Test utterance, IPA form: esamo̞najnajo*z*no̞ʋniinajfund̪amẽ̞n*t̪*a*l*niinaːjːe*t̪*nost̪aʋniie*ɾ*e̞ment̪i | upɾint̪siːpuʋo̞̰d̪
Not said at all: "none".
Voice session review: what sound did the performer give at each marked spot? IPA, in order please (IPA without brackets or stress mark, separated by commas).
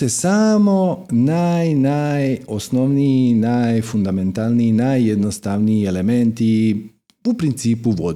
s, t̪, l, d̪, l